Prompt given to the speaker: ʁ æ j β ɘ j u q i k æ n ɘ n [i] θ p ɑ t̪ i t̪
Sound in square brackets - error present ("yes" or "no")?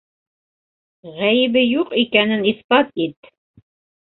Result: no